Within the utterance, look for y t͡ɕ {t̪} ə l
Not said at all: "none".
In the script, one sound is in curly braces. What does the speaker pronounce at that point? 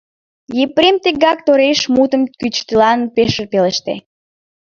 t̪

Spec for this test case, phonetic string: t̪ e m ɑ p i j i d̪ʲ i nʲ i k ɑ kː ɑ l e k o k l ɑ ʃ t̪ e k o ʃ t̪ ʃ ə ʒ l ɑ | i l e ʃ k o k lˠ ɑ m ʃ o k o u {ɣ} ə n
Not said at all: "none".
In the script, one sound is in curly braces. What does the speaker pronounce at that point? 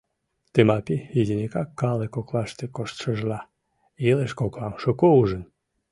ʒ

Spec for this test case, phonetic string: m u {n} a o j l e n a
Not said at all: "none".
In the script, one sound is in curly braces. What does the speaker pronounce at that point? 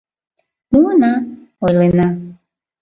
n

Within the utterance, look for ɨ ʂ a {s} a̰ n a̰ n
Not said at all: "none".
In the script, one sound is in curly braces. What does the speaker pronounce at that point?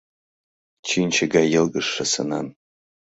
s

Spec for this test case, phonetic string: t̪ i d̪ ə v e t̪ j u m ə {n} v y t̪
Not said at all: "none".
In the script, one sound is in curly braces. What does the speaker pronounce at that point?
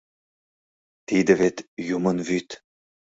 n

